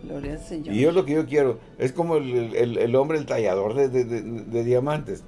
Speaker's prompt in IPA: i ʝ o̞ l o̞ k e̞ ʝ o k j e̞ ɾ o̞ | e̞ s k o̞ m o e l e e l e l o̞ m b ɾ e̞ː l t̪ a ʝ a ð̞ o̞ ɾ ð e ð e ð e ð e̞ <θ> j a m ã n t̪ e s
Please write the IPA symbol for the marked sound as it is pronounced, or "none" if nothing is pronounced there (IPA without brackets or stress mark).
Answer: ð